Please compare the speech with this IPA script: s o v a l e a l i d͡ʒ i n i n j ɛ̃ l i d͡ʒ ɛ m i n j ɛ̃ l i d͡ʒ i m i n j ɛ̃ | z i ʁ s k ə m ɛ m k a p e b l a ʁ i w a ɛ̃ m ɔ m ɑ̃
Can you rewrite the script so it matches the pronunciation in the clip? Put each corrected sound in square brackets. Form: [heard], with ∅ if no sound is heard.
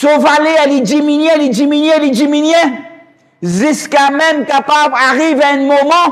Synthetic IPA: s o v a l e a l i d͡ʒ i [m] i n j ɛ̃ l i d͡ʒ [i] m i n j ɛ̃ l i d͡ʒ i m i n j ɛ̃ | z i [∅] s k [a] m ɛ m k a p [a] b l a ʁ i [v] a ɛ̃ m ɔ m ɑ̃